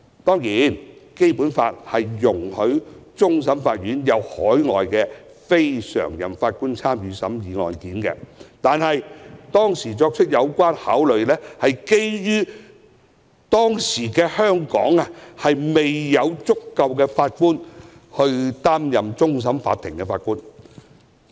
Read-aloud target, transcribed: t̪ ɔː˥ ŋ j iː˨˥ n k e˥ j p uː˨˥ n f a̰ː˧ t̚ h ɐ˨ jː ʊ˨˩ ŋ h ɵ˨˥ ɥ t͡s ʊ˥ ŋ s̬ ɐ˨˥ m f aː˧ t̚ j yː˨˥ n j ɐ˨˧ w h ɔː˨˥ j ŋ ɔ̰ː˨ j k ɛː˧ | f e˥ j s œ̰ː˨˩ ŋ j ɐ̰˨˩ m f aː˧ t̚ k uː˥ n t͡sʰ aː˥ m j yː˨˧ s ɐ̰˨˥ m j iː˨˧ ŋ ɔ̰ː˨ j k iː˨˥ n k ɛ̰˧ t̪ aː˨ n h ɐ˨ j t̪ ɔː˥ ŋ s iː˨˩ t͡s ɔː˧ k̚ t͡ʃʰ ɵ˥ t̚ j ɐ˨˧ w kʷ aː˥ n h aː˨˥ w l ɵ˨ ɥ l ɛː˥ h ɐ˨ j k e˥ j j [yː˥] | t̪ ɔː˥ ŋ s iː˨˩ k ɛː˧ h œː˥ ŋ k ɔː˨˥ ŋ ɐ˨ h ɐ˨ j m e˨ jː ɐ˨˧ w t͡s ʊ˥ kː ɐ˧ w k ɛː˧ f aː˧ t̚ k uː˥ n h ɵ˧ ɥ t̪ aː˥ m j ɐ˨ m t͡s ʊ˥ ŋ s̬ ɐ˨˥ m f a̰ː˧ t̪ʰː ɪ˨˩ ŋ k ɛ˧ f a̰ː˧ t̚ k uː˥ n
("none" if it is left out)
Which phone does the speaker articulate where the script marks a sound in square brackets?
yː˥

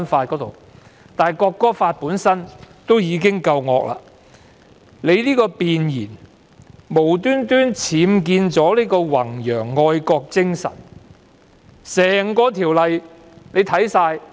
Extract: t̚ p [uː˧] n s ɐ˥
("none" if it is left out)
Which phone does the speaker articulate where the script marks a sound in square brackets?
uː˨˥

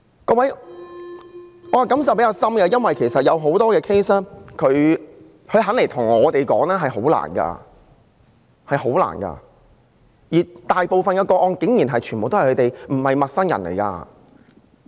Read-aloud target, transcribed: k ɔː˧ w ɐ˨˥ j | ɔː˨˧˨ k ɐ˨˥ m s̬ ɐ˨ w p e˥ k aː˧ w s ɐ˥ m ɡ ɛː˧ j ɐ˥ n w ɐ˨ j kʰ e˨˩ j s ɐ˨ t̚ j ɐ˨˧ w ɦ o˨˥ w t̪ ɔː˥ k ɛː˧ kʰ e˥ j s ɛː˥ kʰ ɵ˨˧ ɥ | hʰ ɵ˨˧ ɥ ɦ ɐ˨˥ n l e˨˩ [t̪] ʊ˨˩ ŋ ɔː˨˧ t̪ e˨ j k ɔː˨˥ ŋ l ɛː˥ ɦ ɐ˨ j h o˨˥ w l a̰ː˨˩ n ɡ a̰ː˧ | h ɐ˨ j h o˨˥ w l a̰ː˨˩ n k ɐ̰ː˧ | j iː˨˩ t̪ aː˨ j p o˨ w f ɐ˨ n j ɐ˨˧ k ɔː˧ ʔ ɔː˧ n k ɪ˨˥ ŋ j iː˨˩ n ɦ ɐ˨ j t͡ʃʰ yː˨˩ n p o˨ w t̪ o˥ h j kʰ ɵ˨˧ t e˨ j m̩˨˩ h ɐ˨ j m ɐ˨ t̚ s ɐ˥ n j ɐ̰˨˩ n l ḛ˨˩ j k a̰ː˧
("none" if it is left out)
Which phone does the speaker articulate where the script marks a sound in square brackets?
t̪ʰ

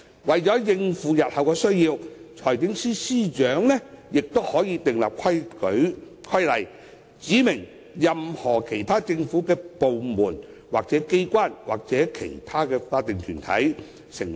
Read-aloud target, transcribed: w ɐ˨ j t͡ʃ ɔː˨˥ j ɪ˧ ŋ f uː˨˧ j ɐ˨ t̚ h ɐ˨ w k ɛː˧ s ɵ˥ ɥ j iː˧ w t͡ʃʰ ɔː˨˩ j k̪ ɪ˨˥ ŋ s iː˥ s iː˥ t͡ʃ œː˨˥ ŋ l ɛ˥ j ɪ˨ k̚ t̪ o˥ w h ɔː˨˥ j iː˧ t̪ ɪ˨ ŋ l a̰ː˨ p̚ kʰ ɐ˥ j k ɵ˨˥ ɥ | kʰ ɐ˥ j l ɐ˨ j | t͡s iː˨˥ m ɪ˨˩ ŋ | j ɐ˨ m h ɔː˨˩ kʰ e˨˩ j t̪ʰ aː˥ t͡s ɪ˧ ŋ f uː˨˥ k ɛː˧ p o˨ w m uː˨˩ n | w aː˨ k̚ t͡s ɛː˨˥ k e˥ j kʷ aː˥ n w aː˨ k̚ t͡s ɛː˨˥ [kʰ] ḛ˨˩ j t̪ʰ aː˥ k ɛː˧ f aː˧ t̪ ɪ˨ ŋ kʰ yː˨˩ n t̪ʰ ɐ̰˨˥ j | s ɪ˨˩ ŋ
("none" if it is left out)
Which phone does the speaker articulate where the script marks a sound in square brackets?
kʰ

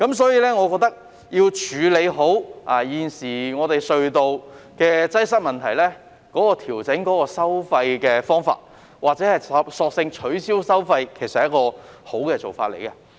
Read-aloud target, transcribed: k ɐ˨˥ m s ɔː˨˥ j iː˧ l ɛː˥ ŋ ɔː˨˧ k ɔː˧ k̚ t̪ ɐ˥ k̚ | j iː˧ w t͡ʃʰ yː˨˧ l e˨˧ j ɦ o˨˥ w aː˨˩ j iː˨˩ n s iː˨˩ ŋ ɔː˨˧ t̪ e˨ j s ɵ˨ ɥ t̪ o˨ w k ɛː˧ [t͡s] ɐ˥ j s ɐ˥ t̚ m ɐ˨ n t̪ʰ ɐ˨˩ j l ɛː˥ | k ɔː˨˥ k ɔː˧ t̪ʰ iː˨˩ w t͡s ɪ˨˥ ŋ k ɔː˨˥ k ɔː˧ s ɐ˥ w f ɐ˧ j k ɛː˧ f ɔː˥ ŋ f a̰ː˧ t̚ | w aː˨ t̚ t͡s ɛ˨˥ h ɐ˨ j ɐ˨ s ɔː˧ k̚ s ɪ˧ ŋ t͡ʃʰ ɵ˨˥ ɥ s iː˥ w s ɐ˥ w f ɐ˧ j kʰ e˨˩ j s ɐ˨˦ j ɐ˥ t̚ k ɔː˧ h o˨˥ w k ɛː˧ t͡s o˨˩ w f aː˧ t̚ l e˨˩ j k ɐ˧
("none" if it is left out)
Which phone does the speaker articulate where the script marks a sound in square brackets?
t͡s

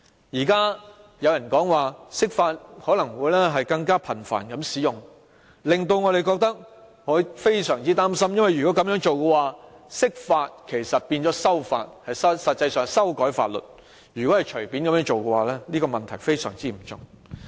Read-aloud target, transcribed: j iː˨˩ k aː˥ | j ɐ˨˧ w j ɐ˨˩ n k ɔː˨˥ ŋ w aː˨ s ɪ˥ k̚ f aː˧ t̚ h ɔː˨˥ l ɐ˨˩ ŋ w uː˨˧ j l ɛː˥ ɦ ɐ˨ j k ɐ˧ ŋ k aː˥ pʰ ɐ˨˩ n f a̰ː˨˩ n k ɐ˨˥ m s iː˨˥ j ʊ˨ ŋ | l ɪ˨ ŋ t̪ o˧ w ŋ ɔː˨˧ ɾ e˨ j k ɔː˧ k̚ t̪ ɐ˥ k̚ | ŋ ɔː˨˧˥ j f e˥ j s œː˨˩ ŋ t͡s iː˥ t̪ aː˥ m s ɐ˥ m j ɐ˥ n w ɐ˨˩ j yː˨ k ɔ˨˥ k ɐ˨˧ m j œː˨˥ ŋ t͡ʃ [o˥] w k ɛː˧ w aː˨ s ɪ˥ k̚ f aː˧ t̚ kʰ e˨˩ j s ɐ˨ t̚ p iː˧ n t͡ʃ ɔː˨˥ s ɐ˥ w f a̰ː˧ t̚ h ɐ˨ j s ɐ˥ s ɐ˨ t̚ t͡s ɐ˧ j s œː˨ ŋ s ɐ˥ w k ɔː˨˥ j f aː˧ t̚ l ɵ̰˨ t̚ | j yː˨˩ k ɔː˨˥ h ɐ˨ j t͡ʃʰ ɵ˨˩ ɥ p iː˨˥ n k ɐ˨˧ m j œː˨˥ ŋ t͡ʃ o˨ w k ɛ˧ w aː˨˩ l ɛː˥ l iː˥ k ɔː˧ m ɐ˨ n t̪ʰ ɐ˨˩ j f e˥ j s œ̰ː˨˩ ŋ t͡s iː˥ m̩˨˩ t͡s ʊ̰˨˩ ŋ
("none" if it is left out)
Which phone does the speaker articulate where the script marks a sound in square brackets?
o˨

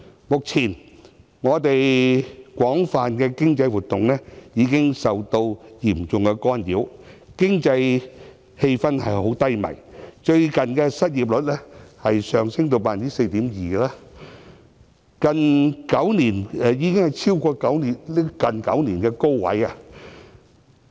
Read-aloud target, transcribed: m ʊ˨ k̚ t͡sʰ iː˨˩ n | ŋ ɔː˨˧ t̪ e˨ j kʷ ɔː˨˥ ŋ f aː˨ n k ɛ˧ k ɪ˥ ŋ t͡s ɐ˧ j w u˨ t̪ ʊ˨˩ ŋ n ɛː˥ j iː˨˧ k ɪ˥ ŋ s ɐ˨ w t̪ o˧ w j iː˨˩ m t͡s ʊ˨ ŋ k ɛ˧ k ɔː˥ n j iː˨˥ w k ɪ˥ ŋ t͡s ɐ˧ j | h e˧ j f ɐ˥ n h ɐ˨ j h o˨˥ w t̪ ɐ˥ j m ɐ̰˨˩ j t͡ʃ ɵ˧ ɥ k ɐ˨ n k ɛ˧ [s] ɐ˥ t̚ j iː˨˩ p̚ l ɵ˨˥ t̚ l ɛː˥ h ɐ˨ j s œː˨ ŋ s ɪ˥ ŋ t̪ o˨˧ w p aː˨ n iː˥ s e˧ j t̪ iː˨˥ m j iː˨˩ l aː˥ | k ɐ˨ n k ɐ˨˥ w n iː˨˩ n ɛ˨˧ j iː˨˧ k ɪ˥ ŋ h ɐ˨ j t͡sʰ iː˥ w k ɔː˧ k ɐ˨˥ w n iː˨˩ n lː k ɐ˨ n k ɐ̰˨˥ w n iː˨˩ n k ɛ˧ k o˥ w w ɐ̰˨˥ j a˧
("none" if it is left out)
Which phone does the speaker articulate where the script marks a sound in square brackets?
s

